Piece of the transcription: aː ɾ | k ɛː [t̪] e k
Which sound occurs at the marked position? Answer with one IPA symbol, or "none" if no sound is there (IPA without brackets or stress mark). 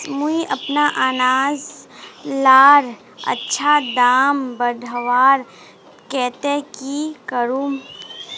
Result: t̪